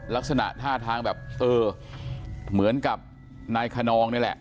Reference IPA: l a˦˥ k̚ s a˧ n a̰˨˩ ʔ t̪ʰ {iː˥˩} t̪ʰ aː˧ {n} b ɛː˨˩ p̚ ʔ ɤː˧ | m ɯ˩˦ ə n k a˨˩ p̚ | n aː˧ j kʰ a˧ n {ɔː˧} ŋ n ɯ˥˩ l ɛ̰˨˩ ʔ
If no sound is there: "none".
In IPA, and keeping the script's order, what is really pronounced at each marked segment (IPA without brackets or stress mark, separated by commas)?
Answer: aː˥˩, ŋ, ɔː˧